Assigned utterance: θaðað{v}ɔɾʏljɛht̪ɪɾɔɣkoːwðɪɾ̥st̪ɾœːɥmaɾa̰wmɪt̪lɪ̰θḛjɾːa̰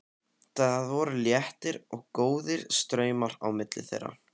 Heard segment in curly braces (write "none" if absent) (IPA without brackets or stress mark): v